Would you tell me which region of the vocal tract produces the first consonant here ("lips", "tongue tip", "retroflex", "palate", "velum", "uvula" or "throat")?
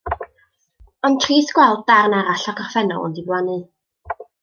tongue tip